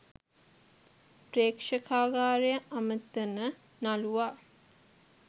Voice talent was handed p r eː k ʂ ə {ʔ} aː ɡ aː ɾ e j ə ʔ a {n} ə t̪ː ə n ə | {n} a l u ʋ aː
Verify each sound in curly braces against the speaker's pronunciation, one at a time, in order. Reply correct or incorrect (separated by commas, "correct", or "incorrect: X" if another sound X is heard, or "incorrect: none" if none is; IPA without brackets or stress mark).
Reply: incorrect: k, incorrect: m, correct